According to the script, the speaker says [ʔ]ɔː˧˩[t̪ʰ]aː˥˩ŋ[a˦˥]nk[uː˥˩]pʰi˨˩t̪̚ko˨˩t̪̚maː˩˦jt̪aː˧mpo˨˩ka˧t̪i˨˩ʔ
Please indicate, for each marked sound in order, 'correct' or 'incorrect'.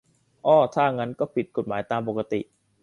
correct, correct, correct, incorrect: ɔː˥˩

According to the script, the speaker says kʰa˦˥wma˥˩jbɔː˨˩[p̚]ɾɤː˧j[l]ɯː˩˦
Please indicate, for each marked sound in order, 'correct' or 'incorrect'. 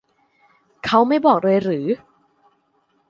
incorrect: k̚, incorrect: ɾ

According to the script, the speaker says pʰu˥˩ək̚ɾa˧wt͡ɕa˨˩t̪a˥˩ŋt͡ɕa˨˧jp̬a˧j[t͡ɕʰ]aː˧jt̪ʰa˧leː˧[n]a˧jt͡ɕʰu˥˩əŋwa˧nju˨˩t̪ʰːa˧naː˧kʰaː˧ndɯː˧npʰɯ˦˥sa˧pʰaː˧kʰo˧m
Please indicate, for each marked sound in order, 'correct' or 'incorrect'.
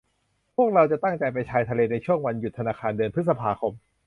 correct, correct

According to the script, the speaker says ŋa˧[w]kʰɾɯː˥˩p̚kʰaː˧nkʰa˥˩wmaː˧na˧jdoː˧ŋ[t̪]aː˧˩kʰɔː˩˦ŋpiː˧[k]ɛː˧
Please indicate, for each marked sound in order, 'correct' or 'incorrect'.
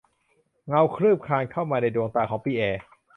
correct, correct, incorrect: ʔ

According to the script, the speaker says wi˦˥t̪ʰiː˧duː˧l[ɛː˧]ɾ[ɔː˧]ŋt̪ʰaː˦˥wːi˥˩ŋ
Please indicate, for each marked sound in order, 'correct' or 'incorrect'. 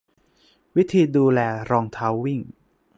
correct, correct

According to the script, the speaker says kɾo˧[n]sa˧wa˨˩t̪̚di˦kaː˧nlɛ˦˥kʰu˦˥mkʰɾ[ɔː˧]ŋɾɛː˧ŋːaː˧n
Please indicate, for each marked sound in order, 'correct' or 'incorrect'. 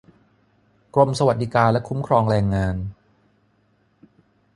incorrect: m, correct

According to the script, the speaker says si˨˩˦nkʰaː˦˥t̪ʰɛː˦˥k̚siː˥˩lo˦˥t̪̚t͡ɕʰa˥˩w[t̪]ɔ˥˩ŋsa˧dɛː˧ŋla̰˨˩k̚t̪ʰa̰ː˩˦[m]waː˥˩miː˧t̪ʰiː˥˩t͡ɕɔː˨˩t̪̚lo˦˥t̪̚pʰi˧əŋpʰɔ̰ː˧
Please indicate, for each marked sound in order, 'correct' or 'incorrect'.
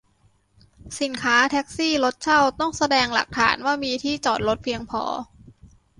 correct, incorrect: n

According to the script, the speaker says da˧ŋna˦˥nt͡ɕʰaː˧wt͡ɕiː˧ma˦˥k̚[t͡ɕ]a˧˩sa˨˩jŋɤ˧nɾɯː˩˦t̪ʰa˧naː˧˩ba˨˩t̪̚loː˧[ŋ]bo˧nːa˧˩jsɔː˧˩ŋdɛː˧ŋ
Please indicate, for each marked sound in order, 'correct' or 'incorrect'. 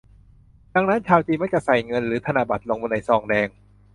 correct, correct

